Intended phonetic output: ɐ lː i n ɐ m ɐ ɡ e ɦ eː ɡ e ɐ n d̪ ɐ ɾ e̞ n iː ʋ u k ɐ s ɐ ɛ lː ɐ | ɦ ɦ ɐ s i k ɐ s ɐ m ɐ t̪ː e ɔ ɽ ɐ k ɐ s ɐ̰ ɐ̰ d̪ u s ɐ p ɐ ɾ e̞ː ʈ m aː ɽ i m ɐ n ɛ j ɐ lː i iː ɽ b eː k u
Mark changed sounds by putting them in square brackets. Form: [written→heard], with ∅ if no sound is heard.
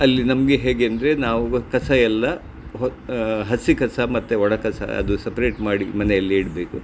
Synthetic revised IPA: ɐ lː i n ɐ m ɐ ɡ e ɦ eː ɡ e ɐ n d̪ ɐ ɾ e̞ n [iː→aː] ʋ u k ɐ s ɐ ɛ lː ɐ | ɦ ɦ ɐ s i k ɐ s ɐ m ɐ t̪ː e ɔ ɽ ɐ k ɐ s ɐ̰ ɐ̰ d̪ u s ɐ p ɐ ɾ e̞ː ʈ m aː ɽ i m ɐ n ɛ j ɐ lː i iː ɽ b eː k u